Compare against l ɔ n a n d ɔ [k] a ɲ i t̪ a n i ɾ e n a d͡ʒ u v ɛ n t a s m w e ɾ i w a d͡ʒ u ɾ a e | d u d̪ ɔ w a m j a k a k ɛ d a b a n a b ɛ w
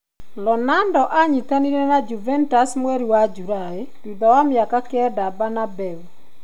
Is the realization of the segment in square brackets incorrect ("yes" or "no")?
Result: yes